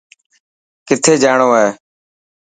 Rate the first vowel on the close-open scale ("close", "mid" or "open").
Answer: close